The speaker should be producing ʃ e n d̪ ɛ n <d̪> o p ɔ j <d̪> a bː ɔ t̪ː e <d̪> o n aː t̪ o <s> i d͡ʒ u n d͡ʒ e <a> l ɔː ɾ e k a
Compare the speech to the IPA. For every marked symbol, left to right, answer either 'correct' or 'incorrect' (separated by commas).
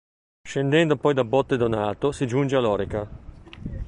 correct, correct, correct, correct, correct